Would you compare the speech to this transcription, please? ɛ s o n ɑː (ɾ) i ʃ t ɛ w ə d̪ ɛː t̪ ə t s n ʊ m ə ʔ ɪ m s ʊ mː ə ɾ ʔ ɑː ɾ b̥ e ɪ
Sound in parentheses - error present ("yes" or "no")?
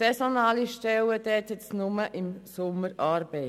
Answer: yes